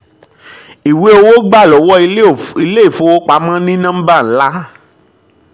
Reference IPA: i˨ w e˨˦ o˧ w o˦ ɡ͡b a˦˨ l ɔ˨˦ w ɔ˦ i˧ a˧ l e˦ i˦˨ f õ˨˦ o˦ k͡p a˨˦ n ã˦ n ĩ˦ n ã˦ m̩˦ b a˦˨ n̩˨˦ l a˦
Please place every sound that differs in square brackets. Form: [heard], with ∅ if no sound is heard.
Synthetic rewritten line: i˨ w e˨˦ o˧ w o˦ ɡ͡b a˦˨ l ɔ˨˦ w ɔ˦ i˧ [i˧] l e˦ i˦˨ f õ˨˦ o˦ k͡p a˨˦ [m] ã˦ n ĩ˦ n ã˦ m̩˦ b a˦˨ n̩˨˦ l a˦